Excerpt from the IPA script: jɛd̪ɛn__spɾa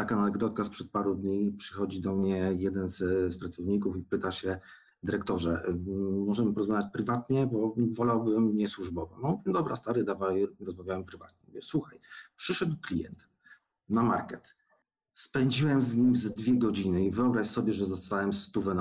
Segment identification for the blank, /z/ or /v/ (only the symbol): z